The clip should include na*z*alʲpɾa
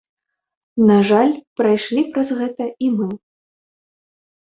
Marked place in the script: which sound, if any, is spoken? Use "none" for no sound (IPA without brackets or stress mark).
ʐ